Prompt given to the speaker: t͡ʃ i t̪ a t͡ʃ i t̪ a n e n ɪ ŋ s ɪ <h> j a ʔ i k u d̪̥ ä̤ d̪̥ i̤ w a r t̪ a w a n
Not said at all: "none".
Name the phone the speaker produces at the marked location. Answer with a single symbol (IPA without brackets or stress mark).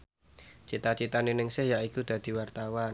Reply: h